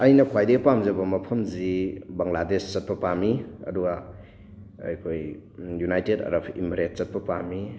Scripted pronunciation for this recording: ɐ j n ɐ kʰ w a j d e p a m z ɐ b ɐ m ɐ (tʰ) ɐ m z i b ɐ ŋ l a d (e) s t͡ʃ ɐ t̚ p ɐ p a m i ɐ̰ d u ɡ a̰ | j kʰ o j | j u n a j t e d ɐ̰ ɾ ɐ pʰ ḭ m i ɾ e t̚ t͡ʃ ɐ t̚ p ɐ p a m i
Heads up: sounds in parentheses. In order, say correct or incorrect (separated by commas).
incorrect, correct